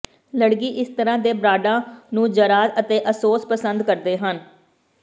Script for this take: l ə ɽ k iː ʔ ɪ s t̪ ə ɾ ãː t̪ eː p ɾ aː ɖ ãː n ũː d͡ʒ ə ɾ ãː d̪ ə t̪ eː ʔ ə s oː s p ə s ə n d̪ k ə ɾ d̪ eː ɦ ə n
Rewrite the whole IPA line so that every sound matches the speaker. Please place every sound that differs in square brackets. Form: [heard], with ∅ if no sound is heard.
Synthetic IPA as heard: l ə ɽ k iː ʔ ɪ s t̪ ə ɾ ãː [d̪] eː [b] ɾ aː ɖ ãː n ũː d͡ʒ ə ɾ [aː] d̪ ə t̪ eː ʔ ə s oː s p ə s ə n d̪ k ə ɾ d̪ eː ɦ ə n